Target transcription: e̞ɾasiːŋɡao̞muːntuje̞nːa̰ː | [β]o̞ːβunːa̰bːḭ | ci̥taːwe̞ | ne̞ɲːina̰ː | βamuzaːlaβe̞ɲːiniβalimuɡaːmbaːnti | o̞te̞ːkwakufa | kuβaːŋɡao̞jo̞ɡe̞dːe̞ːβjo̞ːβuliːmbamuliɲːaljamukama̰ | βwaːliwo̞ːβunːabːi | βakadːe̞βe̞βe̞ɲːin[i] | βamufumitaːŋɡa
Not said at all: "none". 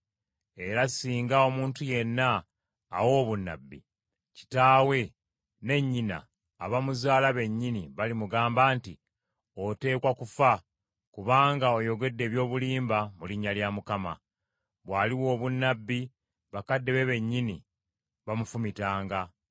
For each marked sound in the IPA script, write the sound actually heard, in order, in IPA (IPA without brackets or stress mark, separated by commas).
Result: w, i